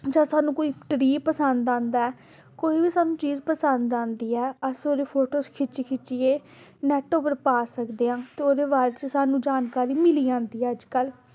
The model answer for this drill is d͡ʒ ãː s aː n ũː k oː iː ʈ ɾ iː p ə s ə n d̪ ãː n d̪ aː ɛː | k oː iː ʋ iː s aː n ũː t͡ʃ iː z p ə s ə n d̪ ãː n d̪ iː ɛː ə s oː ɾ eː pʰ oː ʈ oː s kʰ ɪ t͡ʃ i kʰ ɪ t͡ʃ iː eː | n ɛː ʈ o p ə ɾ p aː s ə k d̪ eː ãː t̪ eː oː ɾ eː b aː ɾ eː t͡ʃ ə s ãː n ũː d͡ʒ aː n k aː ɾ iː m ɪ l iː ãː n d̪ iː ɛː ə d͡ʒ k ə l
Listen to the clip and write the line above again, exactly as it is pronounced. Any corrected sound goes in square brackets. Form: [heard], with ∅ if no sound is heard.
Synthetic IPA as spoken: d͡ʒ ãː s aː n ũː k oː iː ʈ ɾ iː p ə s ə n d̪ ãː n d̪ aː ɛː | k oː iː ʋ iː s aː n ũː t͡ʃ iː z p ə s ə n d̪ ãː n d̪ iː ɛː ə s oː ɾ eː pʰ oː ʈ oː s kʰ ɪ t͡ʃ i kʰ ɪ t͡ʃ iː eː | n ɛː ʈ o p ə ɾ p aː s ə k d̪ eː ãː t̪ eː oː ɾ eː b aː ɾ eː t͡ʃ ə s [aː] n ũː d͡ʒ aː n k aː ɾ iː m ɪ l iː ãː n d̪ iː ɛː ə d͡ʒ k ə l

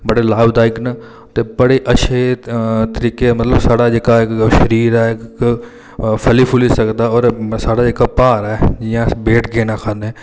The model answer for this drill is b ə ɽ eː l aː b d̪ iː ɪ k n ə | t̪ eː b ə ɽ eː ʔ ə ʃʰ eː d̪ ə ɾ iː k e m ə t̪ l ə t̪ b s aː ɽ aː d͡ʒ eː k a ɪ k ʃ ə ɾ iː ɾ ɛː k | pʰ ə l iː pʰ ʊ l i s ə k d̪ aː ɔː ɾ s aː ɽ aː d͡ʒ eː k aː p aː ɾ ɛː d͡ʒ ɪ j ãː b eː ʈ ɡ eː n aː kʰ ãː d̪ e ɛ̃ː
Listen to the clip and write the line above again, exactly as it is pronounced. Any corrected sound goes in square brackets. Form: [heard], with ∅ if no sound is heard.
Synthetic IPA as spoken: b ə ɽ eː l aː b d̪ [aː] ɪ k n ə | t̪ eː b ə ɽ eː ʔ ə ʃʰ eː [t̪] ə ɾ iː k e m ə t̪ l ə [∅] b s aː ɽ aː d͡ʒ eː k a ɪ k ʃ ə ɾ iː ɾ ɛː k | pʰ ə l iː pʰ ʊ l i s ə k d̪ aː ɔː ɾ s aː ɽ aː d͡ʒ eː k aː p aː ɾ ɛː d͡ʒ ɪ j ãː b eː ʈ ɡ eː n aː kʰ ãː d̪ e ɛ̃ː

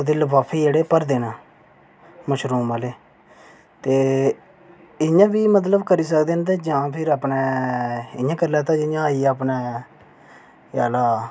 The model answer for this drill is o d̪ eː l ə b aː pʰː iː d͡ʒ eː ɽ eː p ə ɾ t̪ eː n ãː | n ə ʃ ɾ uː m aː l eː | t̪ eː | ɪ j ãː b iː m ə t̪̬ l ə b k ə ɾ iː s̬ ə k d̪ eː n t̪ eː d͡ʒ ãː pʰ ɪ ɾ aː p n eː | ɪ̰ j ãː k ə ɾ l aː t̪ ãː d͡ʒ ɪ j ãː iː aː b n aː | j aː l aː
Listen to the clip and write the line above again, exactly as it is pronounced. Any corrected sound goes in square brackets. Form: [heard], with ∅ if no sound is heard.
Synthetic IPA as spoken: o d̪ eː l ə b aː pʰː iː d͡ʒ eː ɽ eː p ə ɾ [d̪] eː n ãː | [m] ə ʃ ɾ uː m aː l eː | t̪ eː | ɪ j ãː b iː m ə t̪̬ l ə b k ə ɾ iː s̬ ə k d̪ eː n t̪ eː d͡ʒ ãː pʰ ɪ ɾ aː p n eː | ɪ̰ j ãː k ə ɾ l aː t̪ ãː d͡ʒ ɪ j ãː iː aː [p] n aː | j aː l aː

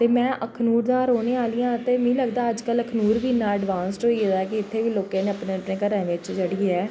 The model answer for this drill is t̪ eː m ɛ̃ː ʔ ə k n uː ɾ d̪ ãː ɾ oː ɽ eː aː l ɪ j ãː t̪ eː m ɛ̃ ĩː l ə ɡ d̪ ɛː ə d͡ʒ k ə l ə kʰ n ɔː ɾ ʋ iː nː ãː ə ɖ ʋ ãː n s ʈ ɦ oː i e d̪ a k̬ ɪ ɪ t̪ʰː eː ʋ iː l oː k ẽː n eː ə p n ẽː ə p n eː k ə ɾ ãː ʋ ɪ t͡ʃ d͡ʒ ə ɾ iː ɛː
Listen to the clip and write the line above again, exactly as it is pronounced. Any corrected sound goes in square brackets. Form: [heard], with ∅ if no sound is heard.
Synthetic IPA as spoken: t̪ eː m ɛ̃ː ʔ ə [kʰ] n uː ɾ d̪ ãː ɾ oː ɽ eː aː l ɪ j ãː t̪ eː m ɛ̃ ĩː l ə ɡ d̪ [aː] ə d͡ʒ k ə l ə kʰ n [uː] ɾ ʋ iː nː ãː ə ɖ ʋ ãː n s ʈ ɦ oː i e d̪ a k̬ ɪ ɪ t̪ʰː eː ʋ iː l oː k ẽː n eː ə p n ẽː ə p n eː k ə ɾ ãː ʋ ɪ t͡ʃ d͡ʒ ə [ɽ] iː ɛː

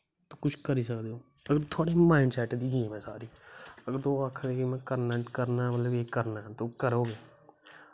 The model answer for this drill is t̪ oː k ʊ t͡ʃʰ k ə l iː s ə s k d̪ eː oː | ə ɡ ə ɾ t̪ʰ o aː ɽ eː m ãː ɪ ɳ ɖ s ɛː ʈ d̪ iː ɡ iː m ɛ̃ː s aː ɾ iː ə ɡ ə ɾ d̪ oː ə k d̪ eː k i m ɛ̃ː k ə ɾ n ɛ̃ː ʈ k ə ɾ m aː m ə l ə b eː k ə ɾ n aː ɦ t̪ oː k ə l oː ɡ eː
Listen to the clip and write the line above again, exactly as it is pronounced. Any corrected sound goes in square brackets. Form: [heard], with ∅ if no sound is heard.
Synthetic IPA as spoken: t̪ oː k ʊ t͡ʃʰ k ə [ɾ] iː s ə [∅] k d̪ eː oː | ə ɡ ə ɾ t̪ʰ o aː ɽ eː m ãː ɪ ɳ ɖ s ɛː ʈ d̪ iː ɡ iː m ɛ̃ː s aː ɾ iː ə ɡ ə ɾ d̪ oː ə [kʰ] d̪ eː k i m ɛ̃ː k ə ɾ n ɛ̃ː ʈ k ə ɾ [n] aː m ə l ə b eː k ə ɾ n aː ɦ t̪ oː k ə [ɾ] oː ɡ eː

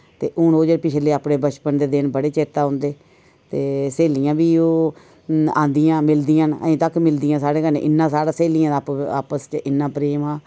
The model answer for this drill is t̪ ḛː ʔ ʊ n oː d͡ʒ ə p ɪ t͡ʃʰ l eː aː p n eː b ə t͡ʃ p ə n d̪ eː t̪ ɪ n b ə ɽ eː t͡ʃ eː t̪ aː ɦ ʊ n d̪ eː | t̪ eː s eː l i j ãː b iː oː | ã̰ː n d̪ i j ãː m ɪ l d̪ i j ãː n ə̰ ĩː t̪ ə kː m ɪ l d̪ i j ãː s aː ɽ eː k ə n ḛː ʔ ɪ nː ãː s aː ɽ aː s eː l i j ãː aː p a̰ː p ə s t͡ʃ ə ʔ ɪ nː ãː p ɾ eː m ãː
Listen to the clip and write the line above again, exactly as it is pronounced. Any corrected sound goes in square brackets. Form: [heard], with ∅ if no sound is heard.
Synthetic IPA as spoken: t̪ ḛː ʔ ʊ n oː d͡ʒ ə p ɪ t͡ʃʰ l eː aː p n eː b ə t͡ʃ p ə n d̪ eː [d̪] ɪ n b ə ɽ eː t͡ʃ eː t̪ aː ɦ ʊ n d̪ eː | t̪ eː s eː l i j ãː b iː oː | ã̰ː n d̪ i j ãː m ɪ l d̪ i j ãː n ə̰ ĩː t̪ ə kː m ɪ l d̪ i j ãː s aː ɽ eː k ə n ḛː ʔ ɪ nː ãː s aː ɽ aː s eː l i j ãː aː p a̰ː p ə s t͡ʃ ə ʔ ɪ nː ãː p ɾ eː m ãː

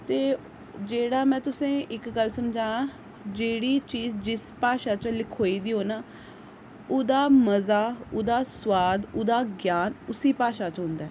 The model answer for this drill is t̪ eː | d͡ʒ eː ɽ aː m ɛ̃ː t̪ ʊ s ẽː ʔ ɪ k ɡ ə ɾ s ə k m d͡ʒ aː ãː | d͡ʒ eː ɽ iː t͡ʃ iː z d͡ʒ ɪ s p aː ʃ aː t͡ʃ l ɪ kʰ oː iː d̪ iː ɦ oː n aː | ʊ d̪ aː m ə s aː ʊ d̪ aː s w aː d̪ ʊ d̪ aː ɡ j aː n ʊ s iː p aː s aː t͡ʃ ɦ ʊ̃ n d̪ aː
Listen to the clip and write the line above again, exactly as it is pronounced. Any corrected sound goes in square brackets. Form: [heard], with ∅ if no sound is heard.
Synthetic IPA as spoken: t̪ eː | d͡ʒ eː ɽ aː m ɛ̃ː t̪ ʊ s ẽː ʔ ɪ k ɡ ə [l] s ə [∅] m d͡ʒ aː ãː | d͡ʒ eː ɽ iː t͡ʃ iː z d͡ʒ ɪ s p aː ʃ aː t͡ʃ l ɪ kʰ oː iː d̪ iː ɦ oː n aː | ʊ d̪ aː m ə [z] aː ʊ d̪ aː s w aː d̪ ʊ d̪ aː ɡ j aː n ʊ s iː p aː [ʃ] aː t͡ʃ ɦ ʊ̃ n d̪ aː

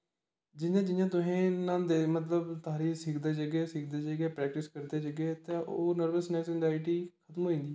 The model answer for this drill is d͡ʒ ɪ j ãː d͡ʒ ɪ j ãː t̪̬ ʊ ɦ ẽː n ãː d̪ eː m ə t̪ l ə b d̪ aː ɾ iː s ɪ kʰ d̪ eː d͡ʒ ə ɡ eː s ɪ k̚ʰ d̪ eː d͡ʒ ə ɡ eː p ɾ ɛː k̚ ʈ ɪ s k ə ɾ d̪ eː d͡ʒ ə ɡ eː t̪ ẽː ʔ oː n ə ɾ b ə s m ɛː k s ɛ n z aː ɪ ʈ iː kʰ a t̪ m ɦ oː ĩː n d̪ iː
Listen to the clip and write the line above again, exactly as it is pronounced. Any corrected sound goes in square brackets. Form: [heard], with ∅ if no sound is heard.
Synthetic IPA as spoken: d͡ʒ ɪ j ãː d͡ʒ ɪ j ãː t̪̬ ʊ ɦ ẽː n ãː d̪ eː m ə t̪ l ə b [t̪] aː ɾ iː s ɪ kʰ d̪ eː d͡ʒ ə ɡ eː s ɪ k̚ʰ d̪ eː d͡ʒ ə ɡ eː p ɾ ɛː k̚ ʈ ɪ s k ə ɾ d̪ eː d͡ʒ ə ɡ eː t̪ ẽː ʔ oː n ə ɾ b ə s [n] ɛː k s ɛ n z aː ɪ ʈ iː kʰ [ə] t̪ m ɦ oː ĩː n d̪ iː

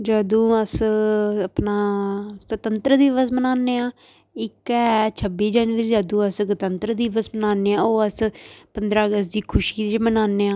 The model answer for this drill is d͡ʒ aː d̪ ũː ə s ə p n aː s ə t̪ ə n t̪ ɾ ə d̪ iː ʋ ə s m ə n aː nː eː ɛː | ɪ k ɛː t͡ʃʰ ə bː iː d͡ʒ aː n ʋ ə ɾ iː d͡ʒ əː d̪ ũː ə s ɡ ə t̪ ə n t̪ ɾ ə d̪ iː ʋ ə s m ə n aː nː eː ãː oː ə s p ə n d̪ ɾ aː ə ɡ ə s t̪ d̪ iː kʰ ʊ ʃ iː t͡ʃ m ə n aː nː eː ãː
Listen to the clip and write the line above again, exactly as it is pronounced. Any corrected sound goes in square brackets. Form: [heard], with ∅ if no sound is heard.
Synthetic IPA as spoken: d͡ʒ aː d̪ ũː ə s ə p n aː s ə t̪ ə n t̪ ɾ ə d̪ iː ʋ ə s m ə n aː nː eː [aː] | ɪ k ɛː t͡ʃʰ ə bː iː d͡ʒ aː n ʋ ə ɾ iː d͡ʒ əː d̪ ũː ə s ɡ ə t̪ ə n t̪ ɾ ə d̪ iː ʋ ə s m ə n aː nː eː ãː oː ə s p ə n d̪ ɾ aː ə ɡ ə s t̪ d̪ iː kʰ ʊ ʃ iː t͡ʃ m ə n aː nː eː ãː

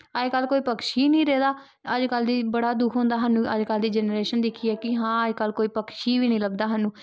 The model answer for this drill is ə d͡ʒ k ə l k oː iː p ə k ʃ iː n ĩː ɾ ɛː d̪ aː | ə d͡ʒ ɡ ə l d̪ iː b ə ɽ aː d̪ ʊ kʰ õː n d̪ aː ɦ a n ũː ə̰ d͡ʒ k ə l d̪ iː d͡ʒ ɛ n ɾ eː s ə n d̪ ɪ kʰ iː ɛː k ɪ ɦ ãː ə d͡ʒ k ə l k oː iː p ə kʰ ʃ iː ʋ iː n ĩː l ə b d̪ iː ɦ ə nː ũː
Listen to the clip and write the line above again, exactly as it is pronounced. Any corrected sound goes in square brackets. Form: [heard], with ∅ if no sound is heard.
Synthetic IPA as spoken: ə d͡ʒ k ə l k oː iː p ə k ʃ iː n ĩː ɾ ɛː d̪ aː | ə d͡ʒ [k] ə l d̪ iː b ə ɽ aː d̪ ʊ kʰ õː n d̪ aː ɦ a n ũː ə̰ d͡ʒ k ə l d̪ iː d͡ʒ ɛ n ɾ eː [ʃ] ə n d̪ ɪ kʰ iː ɛː k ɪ ɦ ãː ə d͡ʒ k ə l k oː iː p ə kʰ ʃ iː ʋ iː n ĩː l ə b d̪ [aː] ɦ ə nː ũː

